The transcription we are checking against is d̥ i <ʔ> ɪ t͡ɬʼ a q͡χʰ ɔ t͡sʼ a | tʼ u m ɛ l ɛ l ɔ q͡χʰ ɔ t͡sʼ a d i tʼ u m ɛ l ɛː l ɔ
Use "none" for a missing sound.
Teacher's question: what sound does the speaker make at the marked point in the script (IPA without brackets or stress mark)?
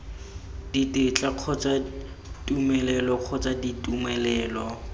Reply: t